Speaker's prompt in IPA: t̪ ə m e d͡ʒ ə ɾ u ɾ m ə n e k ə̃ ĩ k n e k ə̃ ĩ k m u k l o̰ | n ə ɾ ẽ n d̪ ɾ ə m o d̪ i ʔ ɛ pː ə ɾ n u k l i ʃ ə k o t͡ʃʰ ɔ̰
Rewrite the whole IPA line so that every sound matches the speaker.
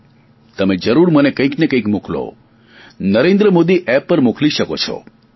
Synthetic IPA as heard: t̪ ə m e d͡ʒ ə ɾ u ɾ m ə n e k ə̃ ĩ k n e k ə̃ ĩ k m u k l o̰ | n ə ɾ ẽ n d̪ ɾ ə m o d̪ i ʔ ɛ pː ə ɾ m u k l i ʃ ə k o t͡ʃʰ ɔ̰